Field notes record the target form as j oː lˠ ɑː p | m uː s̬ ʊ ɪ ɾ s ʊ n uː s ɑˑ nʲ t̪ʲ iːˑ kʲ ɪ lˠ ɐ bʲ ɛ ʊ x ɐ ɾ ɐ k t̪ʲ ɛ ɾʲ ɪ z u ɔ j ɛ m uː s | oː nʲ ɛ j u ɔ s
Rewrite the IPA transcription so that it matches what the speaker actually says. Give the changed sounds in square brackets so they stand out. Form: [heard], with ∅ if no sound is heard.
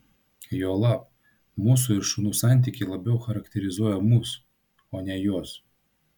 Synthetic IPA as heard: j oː lˠ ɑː p | m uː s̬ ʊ ɪ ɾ [ʃ] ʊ n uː s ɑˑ nʲ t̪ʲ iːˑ kʲ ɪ lˠ ɐ bʲ ɛ ʊ x ɐ ɾ ɐ k t̪ʲ ɛ ɾʲ ɪ z u ɔ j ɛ m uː s | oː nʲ ɛ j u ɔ s